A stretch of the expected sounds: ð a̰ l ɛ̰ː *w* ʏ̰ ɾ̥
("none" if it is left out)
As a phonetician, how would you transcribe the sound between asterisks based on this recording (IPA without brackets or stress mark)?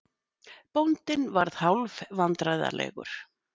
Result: ɣ